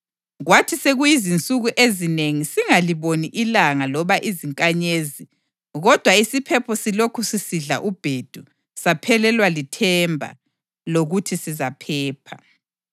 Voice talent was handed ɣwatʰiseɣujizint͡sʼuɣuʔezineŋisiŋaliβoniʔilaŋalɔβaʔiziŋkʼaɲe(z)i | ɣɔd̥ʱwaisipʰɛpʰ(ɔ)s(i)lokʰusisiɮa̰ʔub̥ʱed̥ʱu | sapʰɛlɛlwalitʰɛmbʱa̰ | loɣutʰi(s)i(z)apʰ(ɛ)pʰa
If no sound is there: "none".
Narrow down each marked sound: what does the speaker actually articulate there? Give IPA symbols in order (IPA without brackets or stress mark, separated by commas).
z, ɔ, i, s, z, ɛː